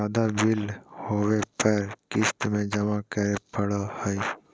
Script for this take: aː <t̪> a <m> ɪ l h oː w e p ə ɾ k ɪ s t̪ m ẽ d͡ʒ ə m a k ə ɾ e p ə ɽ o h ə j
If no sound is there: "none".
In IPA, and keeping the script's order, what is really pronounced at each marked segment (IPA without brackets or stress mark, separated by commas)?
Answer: d̪, b